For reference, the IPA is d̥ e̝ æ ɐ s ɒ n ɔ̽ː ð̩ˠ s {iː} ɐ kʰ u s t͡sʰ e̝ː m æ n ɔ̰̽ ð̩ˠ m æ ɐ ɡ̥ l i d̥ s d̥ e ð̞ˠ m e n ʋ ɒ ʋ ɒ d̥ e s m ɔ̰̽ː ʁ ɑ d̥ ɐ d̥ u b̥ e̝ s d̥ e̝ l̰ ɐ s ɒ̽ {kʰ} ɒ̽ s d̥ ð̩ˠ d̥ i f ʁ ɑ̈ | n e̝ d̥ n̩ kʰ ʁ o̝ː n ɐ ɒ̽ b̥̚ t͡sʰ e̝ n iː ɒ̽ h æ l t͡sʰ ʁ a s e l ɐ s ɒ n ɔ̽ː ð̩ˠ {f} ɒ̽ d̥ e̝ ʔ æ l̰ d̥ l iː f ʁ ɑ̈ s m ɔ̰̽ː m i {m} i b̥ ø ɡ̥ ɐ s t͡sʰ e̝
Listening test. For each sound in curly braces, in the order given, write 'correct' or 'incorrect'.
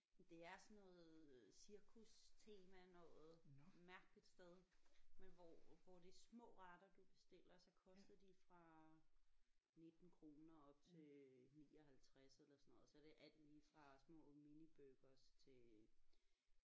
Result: incorrect: i, correct, incorrect: s, incorrect: n

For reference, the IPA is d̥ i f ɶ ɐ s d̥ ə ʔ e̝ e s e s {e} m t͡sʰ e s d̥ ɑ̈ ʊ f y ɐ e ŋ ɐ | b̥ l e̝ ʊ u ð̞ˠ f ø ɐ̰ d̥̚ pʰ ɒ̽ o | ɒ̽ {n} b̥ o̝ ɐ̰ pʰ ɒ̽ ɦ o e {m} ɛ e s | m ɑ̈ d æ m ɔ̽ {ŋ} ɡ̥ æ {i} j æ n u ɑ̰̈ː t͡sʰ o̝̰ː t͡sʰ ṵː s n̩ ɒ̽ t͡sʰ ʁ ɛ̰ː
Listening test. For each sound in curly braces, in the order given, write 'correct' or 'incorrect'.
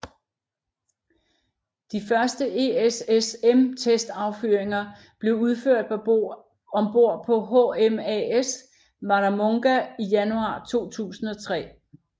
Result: correct, incorrect: m, correct, correct, correct

